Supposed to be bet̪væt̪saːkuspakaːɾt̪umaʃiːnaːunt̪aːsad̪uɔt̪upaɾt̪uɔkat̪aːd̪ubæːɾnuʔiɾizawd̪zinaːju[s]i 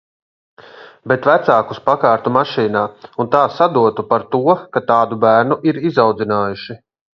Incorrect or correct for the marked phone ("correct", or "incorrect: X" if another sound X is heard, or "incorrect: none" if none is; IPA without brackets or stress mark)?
incorrect: ʃ